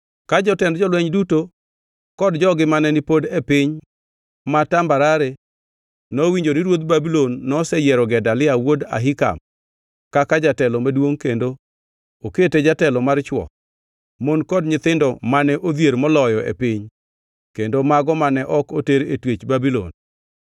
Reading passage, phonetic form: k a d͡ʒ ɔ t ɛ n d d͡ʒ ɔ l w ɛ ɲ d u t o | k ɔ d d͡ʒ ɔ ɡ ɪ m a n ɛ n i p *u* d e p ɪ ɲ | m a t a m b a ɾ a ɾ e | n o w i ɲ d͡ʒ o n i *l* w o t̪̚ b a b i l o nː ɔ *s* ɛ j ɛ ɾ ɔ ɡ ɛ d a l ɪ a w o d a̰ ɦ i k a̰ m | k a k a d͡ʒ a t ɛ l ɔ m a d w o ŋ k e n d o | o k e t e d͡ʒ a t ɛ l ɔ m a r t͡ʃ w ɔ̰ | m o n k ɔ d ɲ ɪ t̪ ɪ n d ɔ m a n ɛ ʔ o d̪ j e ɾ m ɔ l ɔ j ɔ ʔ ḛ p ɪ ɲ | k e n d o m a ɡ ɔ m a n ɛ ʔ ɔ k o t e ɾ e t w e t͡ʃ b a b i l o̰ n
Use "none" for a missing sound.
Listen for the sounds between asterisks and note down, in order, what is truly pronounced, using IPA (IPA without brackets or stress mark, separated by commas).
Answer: o, ɾ, s